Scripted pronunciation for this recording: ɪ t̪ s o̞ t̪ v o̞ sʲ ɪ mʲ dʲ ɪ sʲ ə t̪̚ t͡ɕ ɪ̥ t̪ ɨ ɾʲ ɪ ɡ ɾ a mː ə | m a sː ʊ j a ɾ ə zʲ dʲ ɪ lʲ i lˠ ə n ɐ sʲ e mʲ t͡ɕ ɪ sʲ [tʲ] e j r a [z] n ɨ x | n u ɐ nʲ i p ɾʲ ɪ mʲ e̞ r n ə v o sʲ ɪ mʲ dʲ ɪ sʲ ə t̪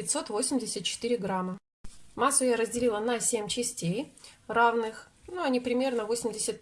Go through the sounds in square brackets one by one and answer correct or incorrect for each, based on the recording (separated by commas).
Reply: correct, incorrect